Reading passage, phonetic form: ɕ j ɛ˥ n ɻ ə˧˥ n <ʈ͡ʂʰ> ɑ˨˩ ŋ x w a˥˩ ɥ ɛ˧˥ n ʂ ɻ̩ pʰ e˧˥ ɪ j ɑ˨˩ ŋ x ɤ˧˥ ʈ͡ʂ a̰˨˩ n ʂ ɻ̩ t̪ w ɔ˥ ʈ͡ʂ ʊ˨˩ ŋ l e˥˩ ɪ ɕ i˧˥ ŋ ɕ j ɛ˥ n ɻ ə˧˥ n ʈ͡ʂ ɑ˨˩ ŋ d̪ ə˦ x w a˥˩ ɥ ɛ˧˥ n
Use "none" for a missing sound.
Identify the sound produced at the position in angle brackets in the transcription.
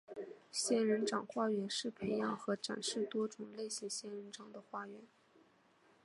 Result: ʈ͡ʂ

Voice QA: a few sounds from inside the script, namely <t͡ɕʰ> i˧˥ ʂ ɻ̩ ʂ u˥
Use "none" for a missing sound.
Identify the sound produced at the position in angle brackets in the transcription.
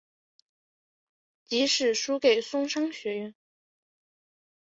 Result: t͡ɕ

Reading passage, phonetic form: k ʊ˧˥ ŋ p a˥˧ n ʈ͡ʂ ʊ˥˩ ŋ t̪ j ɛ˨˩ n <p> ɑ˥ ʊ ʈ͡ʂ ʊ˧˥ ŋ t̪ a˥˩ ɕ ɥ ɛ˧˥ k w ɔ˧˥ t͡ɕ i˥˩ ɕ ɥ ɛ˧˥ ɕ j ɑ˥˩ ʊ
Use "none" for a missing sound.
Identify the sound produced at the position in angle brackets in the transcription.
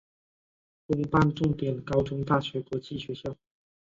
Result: k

